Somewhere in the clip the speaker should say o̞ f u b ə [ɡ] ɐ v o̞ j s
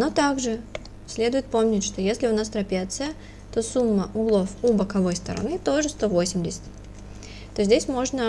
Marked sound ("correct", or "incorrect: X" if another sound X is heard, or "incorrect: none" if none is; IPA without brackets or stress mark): incorrect: k